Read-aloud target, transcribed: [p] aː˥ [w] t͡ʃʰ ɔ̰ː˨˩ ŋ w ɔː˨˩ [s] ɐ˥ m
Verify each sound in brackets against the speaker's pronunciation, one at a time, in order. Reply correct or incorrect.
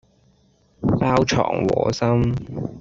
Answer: correct, correct, correct

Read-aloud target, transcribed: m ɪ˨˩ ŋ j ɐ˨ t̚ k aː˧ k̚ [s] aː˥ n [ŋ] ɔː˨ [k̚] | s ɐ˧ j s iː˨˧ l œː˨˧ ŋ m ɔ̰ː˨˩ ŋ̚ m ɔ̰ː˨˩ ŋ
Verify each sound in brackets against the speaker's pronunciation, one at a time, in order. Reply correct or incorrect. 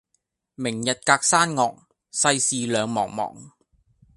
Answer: correct, correct, correct

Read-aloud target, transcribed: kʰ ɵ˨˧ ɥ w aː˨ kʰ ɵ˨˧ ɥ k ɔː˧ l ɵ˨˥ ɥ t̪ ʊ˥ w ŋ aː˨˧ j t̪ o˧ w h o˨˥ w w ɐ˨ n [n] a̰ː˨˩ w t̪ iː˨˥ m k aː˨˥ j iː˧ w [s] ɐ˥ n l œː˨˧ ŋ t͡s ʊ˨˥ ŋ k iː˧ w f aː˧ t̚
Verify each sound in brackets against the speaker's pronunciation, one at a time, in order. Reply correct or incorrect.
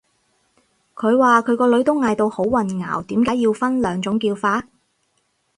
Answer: incorrect, incorrect

